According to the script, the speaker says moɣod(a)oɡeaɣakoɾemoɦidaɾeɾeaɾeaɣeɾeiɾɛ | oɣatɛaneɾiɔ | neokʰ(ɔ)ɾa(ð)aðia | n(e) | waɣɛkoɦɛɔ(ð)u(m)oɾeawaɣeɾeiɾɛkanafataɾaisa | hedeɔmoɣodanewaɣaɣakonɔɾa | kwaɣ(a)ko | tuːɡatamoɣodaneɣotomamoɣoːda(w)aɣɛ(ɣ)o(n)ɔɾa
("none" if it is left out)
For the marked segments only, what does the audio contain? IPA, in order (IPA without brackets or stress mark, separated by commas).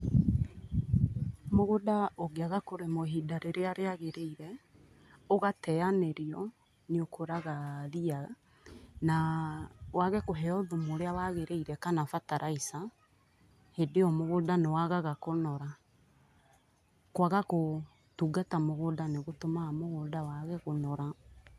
a, o, ɣ, a, ð, m, a, w, ɣ, n